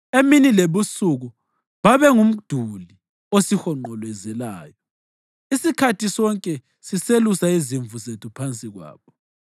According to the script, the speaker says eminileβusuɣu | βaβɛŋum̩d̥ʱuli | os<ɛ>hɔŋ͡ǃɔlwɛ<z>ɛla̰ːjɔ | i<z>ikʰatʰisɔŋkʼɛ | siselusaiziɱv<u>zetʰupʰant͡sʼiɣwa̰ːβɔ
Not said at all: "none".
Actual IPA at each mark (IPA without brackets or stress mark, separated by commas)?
i, z, s, u